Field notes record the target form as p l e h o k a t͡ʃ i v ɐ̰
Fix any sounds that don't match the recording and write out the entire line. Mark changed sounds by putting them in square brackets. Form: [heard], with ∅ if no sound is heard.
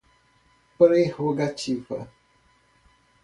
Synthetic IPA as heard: p [ɾ] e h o [ɡ] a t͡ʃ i v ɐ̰